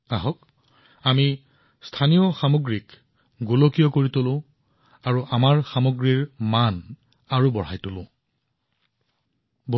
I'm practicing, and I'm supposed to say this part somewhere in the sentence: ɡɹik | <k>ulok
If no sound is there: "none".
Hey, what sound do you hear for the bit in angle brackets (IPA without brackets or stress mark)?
ɡ